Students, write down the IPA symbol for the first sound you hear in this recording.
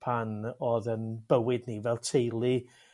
pʰ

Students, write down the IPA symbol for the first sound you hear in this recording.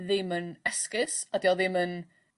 ð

